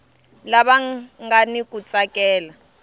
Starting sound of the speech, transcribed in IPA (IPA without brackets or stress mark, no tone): l